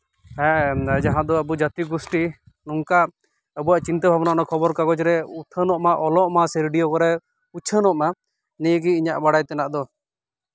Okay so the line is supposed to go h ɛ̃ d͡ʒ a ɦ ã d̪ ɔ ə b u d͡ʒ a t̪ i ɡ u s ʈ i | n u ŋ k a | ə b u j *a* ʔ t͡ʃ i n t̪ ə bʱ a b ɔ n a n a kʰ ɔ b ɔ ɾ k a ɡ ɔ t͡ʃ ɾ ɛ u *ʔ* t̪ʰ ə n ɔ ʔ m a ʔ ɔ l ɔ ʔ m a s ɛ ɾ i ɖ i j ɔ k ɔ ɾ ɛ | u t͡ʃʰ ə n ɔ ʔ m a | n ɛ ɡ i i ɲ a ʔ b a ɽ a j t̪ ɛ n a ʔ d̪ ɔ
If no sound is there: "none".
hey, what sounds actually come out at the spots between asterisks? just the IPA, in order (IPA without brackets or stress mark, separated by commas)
a, none